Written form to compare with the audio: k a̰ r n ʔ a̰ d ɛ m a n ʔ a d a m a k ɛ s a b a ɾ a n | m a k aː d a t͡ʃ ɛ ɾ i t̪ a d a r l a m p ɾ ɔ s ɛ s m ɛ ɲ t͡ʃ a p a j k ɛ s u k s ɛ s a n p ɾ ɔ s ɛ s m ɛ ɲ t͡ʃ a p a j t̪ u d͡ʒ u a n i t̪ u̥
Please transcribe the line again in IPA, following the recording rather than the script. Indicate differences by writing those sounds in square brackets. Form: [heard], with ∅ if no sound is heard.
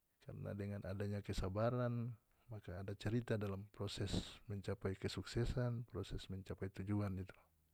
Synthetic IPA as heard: k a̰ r n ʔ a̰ d ɛ [ŋ] a n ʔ a d a [ɲ] a k ɛ s a b a ɾ a n | m a k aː d a t͡ʃ ɛ ɾ i t̪ a d a [∅] l a m p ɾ ɔ s ɛ s m ɛ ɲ t͡ʃ a p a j k ɛ s u k s ɛ s a n p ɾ ɔ s ɛ s m ɛ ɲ t͡ʃ a p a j t̪ u d͡ʒ u a n i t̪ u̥